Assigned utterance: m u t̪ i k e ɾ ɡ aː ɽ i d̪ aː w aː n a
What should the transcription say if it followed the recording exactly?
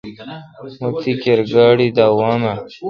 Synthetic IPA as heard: m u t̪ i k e ɾ ɡ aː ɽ i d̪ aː w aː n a